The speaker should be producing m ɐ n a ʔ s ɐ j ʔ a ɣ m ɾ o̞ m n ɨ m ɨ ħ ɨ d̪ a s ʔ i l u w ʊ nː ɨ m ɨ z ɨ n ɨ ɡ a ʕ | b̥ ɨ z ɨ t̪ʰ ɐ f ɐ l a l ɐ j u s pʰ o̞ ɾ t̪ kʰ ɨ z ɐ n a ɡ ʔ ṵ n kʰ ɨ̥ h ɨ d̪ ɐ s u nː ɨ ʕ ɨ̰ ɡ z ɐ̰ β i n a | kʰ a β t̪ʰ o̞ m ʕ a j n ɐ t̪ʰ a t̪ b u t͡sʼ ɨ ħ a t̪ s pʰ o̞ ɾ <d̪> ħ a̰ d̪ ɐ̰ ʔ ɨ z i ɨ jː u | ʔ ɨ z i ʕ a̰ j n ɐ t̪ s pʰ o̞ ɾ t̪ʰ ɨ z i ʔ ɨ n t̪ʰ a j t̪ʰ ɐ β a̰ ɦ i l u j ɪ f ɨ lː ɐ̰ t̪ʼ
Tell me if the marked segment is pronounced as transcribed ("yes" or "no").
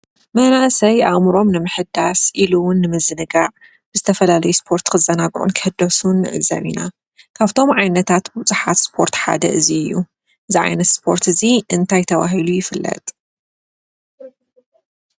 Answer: no